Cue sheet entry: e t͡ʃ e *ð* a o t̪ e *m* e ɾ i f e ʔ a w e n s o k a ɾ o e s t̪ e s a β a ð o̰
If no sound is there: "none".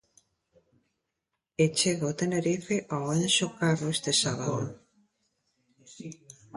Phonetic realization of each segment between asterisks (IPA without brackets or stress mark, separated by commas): ɣ, n